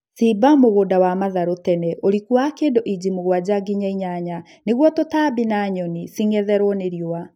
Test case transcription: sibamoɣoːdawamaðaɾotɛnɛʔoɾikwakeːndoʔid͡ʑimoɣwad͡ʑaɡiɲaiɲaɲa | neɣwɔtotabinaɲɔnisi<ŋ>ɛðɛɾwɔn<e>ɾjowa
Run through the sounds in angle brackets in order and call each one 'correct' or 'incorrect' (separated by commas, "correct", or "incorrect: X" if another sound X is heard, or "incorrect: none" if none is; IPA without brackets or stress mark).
correct, correct